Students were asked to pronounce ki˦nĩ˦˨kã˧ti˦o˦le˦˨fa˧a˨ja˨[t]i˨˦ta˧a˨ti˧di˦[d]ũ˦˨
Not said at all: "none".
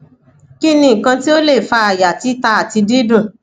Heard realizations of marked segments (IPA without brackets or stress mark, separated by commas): t, d